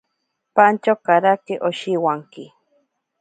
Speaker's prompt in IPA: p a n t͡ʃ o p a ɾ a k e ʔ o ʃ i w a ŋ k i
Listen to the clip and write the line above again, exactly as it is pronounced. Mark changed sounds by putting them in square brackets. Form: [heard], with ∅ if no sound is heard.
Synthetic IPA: p a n t͡ʃ o [k] a ɾ a k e ʔ o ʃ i w a ŋ k i